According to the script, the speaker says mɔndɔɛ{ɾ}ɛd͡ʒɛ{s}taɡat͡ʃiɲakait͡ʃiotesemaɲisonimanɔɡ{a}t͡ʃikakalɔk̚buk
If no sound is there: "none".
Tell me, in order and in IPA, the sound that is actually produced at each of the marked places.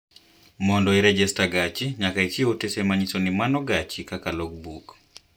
ɾ, s, a

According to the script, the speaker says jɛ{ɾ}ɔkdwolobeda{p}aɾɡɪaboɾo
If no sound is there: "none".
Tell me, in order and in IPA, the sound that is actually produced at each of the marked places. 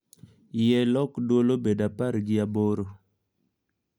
l, p

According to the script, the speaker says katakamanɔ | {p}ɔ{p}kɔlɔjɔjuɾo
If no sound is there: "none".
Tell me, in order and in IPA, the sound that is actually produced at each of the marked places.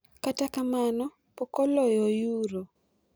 p, none

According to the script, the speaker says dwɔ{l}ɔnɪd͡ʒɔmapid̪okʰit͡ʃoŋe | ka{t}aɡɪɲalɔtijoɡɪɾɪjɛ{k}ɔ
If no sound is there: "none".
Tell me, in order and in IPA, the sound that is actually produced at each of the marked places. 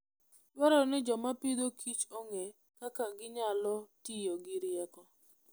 ɾ, k, k

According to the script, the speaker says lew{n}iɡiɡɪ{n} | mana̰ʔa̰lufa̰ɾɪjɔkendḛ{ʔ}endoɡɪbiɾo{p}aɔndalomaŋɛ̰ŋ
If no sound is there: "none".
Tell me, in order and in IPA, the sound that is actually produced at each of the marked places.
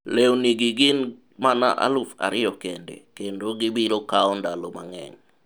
n, n, k, k

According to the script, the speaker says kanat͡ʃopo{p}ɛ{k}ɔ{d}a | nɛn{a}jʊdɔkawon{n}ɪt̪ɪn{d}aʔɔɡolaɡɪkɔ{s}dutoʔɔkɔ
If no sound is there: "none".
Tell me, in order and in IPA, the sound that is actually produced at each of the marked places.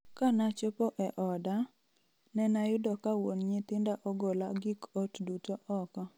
ʔ, ʔ, d, a, ɲ, d, t

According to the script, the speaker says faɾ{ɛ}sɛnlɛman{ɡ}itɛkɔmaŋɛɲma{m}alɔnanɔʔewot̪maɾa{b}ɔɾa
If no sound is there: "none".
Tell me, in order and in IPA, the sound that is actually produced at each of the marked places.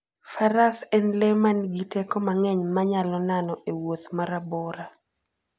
a, ɡ, ɲ, b

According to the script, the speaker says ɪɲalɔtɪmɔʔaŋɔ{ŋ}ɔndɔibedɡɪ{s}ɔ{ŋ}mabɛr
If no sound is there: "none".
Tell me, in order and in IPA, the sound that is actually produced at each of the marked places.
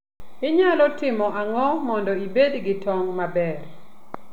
m, t, ŋ

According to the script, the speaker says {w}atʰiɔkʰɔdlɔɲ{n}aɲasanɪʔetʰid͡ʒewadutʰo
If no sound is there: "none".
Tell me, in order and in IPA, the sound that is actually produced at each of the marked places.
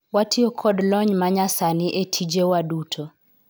w, m

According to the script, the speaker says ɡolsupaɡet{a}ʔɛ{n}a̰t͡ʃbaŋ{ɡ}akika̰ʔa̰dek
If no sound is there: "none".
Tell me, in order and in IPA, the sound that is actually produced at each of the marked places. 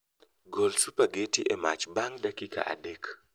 i, m, d

